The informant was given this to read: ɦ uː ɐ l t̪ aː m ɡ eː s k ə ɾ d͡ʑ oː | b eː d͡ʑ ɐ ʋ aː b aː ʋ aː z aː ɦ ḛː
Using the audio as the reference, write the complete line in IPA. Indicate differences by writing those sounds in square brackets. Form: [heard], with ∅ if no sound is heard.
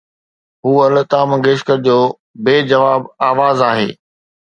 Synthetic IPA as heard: ɦ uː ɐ l t̪ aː m ɡ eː [ʃ] k ə ɾ d͡ʑ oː | b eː d͡ʑ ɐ ʋ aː b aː ʋ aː z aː ɦ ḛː